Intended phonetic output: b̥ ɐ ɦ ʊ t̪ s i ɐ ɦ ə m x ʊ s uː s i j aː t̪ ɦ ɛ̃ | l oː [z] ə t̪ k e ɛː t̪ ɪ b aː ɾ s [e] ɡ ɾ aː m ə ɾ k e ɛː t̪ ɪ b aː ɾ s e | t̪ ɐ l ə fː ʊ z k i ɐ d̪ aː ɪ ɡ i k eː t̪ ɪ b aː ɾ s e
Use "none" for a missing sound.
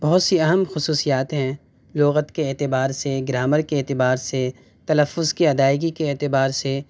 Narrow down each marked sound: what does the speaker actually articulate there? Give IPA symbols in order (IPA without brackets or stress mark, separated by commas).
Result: ɣ, e